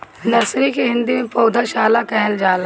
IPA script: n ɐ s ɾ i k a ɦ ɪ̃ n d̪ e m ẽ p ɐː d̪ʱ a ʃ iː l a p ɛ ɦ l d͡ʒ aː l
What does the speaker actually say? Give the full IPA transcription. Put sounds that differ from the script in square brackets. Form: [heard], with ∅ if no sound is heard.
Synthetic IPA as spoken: n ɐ s ɾ i k [e] ɦ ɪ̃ n d̪ [i] m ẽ p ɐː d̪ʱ a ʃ [aː] l a [k] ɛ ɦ l d͡ʒ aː l